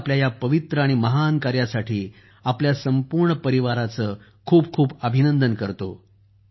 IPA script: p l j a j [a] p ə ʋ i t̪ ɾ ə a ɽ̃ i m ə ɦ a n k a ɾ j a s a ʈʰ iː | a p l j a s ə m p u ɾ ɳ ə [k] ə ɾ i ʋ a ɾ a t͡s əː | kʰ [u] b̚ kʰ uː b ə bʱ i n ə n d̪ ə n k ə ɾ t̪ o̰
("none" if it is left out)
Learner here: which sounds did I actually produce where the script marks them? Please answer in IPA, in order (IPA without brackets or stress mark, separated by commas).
a, p, uː